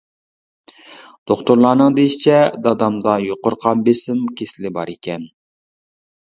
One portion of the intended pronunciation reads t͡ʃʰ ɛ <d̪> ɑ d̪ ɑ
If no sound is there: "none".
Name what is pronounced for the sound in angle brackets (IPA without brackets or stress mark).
d̪